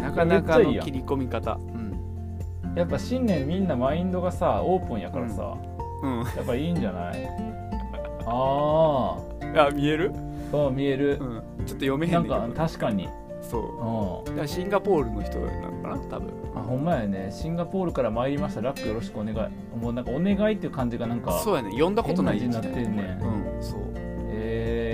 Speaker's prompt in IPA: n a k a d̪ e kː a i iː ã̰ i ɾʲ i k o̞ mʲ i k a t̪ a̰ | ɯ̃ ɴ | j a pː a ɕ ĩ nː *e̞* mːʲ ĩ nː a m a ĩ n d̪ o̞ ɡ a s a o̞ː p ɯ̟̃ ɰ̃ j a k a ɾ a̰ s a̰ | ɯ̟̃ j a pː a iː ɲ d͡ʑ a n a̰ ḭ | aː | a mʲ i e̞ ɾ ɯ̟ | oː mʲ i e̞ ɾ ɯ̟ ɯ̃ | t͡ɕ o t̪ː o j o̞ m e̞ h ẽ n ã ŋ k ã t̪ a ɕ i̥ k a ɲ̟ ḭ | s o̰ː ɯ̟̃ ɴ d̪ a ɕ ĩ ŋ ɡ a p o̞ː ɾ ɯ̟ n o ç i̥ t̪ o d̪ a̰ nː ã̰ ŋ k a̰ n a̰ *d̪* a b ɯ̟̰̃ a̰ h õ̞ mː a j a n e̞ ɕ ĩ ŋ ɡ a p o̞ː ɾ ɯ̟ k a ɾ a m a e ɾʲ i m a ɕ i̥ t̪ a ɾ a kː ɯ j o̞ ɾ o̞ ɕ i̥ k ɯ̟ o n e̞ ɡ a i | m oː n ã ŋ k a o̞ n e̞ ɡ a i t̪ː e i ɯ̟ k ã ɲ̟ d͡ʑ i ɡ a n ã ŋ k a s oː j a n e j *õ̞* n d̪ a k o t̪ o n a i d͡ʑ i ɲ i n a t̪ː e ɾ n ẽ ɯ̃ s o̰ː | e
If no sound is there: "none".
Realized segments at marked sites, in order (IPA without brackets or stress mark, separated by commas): ẽ̞, t̪, õ̞